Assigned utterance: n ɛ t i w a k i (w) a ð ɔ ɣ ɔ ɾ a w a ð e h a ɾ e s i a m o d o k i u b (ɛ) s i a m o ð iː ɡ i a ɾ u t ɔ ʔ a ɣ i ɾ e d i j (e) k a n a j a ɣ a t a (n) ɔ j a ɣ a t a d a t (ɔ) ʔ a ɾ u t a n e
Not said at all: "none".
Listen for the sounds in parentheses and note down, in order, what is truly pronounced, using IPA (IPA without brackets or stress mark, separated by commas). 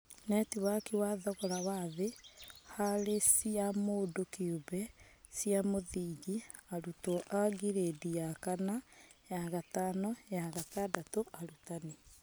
w, ɛ, a, n, o